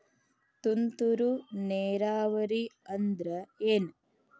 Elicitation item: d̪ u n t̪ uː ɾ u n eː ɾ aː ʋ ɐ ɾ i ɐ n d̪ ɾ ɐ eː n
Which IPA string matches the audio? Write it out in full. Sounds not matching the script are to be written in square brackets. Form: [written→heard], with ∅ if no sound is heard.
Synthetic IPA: [d̪→t̪] u n t̪ [uː→u] ɾ u n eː ɾ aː ʋ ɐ ɾ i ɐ n d̪ ɾ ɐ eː n